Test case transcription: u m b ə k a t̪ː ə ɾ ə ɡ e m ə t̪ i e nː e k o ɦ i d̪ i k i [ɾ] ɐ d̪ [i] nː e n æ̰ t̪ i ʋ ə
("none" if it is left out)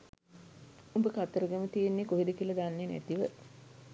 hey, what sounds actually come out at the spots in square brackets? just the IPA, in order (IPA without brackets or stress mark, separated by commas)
l, a